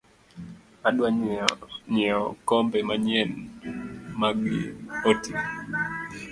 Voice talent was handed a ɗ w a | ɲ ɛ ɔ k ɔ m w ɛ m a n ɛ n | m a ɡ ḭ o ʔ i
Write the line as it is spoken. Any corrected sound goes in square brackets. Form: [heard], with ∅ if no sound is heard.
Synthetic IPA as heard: a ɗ w a | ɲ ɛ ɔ k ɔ m [b] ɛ m a [ɲ] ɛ n | m a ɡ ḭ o [t] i